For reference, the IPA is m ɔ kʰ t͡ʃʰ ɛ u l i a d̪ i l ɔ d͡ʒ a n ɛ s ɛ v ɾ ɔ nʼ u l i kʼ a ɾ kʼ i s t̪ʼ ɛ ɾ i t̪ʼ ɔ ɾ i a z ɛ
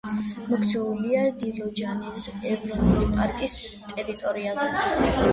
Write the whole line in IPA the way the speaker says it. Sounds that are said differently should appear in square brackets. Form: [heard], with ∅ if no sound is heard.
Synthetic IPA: m ɔ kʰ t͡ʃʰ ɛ u l i a d̪ i l ɔ d͡ʒ a n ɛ s ɛ v ɾ ɔ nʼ u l i [pʼ] a ɾ kʼ i s t̪ʼ ɛ ɾ i t̪ʼ ɔ ɾ i a z ɛ